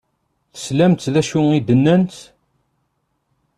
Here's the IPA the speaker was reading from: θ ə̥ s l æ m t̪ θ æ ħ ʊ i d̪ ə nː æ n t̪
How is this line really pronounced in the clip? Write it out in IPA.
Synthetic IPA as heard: θ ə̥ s l æ m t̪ ð æ ʃ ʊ i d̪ ə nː æ n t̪